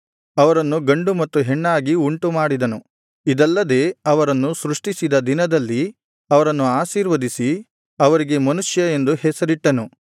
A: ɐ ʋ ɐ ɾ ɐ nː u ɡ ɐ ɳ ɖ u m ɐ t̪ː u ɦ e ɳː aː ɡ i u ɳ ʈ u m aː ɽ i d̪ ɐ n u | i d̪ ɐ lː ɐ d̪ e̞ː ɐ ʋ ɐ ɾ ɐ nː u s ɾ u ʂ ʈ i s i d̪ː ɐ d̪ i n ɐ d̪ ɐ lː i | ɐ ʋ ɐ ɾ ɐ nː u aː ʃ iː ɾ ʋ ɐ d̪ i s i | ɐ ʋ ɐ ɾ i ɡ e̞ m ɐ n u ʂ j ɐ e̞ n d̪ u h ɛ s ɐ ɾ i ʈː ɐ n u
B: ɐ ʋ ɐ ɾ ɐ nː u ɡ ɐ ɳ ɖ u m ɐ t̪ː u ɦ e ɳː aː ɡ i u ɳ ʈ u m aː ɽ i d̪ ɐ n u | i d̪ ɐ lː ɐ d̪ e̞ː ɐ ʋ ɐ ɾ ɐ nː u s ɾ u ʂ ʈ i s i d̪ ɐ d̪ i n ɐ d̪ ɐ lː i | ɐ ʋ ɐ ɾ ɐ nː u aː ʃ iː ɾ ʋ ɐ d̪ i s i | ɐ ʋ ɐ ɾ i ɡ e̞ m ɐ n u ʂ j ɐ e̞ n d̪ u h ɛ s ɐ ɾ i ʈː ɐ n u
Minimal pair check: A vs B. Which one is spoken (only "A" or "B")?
B